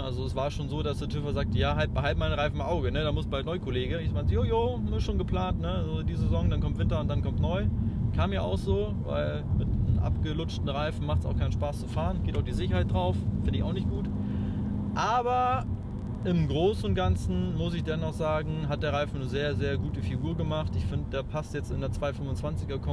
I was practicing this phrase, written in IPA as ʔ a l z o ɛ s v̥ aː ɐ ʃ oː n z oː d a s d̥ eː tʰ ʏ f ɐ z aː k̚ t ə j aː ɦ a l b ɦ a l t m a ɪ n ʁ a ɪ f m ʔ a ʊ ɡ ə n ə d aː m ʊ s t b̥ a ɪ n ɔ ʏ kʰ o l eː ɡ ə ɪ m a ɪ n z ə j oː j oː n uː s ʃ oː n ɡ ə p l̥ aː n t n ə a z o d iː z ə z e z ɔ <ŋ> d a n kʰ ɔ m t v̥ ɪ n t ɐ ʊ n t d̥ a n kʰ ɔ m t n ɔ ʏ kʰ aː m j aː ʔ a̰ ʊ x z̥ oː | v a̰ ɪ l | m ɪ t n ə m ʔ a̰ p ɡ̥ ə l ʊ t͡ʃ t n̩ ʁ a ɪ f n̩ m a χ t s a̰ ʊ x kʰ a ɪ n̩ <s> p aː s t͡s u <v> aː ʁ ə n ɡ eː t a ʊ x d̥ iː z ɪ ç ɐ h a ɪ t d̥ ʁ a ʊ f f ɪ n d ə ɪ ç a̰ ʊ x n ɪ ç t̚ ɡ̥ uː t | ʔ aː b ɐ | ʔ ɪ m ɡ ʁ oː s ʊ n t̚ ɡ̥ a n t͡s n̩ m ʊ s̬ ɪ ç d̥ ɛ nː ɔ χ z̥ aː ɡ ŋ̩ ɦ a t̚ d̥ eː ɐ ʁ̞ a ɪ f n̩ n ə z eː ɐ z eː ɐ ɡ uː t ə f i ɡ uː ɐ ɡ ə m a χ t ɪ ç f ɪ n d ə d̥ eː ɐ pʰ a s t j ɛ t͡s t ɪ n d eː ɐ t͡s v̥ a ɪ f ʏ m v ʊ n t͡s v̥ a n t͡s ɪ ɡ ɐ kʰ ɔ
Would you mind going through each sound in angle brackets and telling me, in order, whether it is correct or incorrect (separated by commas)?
correct, incorrect, incorrect